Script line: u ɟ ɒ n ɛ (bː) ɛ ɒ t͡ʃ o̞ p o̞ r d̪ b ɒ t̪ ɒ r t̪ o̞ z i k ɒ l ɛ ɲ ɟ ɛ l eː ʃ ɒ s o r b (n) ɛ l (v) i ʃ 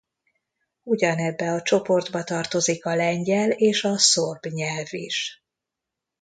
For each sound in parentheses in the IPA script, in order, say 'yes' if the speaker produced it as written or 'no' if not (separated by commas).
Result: yes, no, yes